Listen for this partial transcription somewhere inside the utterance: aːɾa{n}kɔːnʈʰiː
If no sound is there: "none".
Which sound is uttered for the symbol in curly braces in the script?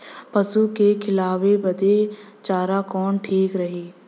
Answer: none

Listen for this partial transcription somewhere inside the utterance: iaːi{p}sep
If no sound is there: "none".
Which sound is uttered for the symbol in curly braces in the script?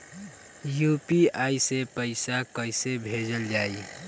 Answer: none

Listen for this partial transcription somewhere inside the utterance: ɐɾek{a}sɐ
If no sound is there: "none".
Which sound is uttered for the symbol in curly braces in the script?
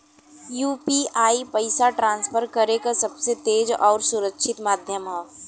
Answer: a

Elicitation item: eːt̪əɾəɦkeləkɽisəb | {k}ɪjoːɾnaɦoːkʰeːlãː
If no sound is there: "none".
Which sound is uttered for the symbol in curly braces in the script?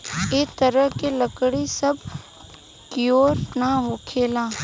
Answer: k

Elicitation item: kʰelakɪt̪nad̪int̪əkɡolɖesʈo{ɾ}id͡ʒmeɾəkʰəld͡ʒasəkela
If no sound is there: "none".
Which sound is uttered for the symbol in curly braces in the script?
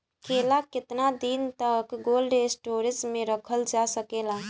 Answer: ɾ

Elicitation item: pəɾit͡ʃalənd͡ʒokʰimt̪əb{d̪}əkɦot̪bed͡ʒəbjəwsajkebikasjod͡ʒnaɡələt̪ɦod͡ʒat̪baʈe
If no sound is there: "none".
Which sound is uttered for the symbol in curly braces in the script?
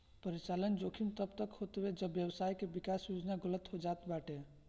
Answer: t̪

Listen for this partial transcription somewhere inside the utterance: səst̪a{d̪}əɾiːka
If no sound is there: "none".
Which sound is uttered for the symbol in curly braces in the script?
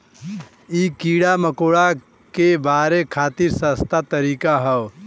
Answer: t̪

